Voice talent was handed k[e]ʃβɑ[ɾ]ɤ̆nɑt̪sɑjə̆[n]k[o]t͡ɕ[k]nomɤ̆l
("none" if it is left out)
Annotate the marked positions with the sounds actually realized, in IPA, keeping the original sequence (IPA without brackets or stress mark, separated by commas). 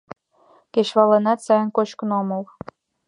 e, l, n, o, k